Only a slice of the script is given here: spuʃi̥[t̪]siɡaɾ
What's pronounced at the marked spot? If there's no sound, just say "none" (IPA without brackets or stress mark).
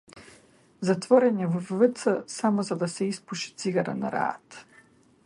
t̪